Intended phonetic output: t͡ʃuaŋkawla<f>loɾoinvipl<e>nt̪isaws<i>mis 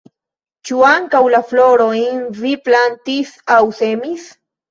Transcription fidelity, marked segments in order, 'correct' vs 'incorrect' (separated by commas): correct, incorrect, incorrect